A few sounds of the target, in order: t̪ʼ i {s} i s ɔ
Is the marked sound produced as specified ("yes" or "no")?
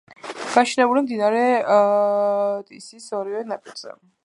yes